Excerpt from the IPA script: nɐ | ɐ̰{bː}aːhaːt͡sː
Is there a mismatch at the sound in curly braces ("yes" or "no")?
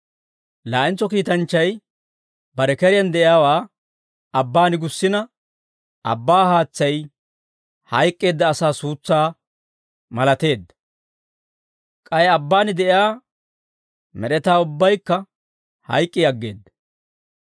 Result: no